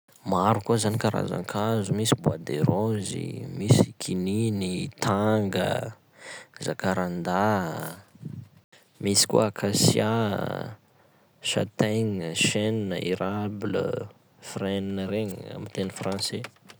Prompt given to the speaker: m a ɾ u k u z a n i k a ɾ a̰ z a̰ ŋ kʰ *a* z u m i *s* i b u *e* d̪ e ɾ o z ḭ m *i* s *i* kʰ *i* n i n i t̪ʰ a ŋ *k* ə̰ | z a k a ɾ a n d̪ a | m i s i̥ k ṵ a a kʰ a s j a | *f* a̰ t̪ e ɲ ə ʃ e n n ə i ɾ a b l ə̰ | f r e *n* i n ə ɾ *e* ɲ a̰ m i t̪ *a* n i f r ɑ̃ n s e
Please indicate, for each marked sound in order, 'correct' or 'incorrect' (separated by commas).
correct, correct, incorrect, correct, correct, correct, incorrect, incorrect, correct, correct, incorrect